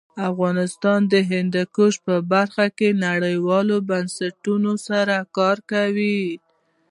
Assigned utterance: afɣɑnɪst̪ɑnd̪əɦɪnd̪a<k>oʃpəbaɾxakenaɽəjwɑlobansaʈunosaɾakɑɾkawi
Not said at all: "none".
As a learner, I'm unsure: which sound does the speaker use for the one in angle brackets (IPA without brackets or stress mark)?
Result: k